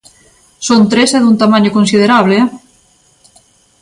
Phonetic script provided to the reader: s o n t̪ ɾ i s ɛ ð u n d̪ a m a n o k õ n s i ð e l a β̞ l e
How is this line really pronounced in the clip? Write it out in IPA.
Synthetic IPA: s o n t̪ ɾ e s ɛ ð u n t̪ a m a ɲ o k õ n s i ð e ɾ a β̞ l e

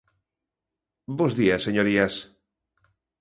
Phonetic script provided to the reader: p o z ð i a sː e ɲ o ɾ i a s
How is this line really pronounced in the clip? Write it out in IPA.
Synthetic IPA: b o z ð i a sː e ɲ o ɾ i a s

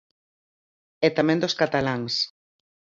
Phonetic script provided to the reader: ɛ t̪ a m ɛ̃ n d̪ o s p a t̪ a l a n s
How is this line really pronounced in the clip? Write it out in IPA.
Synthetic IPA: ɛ t̪ a m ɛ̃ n d̪ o s k a t̪ a l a ŋ s

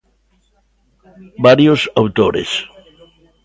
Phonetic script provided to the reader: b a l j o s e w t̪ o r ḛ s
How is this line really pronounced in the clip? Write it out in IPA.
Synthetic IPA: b a ɾ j o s a w t̪ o ɾ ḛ s

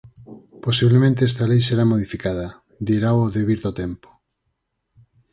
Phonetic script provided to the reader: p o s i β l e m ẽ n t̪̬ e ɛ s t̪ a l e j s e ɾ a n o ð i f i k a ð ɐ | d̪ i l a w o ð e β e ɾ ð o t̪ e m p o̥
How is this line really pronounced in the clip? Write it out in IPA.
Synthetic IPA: p o s i β l e m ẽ n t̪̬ e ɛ s t̪ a l e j s e ɾ a m o ð i f i k a ð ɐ | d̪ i ɾ a w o ð e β i ɾ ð o t̪ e m p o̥

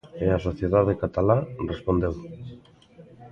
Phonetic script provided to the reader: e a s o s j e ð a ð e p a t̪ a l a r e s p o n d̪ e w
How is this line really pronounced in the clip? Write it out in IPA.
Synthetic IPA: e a s o θ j e ð a ð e k a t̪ a l a r e s p o n d̪ e w

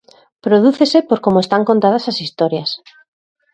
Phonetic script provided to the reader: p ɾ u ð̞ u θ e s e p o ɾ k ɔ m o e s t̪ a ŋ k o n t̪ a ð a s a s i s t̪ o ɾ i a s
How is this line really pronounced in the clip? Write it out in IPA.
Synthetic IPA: p ɾ o ð̞ u θ e s e p o ɾ k o m o e s t̪ a ŋ k o n t̪ a ð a s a s i s t̪ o ɾ j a s

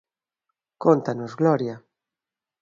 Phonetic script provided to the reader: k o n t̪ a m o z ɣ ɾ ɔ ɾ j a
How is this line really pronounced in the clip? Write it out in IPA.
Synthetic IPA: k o n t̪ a n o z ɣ l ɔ ɾ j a

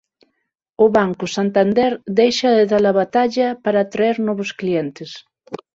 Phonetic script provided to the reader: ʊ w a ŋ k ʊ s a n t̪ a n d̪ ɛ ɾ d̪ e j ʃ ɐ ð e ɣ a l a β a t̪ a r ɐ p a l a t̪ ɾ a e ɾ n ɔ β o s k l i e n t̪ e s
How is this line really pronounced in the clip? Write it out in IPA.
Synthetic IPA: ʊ β a ŋ k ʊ s a n t̪ a n d̪ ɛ ɾ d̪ e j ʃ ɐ ð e ð a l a β a t̪ a ʎ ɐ p a ɾ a t̪ ɾ a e ɾ n ɔ β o s k l i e n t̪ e s

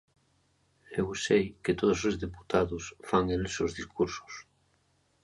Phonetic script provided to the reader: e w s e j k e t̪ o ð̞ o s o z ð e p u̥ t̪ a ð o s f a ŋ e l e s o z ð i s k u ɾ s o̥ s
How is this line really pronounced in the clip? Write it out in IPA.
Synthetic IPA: e w s e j k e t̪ o ð̞ o s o z ð e p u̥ t̪ a ð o s f a ŋ e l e s o z ð i s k u ɾ s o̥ s

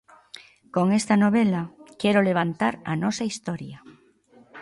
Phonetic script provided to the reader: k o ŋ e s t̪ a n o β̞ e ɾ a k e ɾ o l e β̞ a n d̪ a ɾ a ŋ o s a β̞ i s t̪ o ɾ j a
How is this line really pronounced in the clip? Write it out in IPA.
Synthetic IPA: k o ŋ e s t̪ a n o β̞ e l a k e ɾ o l e β̞ a n t̪ a ɾ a n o s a i s t̪ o ɾ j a

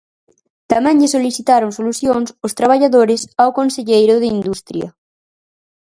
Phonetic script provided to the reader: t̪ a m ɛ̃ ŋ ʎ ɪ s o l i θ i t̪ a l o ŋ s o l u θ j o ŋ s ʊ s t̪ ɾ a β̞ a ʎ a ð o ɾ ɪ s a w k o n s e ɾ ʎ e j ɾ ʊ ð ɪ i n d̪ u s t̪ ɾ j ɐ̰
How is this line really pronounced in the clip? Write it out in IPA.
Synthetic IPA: t̪ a m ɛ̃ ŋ ʎ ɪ s o l i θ i t̪ a ɾ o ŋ s o l u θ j o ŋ s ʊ s t̪ ɾ a β̞ a ʎ a ð o ɾ ɪ s a w k o n s e ʎ e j ɾ ʊ ð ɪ i n d̪ u s t̪ ɾ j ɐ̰

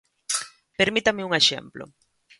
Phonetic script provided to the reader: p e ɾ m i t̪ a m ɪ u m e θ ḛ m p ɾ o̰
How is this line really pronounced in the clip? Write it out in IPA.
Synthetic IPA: p e ɾ m i t̪ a m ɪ u ŋ e ʃ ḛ m p l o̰

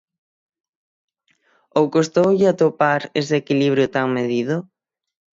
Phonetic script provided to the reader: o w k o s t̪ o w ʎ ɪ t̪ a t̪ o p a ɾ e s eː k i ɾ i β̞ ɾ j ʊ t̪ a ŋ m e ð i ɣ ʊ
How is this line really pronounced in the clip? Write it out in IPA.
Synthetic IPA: o w k o s t̪ o w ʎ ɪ a t̪ o p a ɾ e s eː k i l i β̞ ɾ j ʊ t̪ a ŋ m e ð i ð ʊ

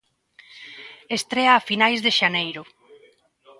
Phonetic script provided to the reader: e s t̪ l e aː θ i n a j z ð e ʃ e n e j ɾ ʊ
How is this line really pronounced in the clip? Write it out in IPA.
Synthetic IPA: e s t̪ ɾ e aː f i n a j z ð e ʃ a n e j ɾ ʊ

